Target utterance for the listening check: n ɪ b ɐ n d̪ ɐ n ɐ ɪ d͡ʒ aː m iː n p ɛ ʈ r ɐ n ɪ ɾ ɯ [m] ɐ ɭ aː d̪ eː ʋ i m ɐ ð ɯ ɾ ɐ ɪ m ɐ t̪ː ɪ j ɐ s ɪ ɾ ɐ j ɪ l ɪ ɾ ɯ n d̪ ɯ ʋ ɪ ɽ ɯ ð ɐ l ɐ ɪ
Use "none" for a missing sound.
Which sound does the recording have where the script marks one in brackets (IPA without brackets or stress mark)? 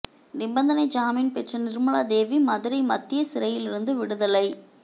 m